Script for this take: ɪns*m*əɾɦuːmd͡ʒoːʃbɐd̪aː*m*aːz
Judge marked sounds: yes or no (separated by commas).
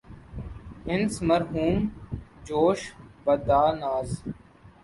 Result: yes, no